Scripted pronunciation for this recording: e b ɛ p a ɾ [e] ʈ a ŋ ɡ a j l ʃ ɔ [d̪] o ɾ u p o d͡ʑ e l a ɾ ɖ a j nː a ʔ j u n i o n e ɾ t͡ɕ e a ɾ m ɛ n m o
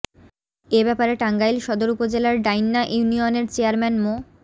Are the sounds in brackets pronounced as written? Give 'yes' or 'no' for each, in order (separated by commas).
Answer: yes, yes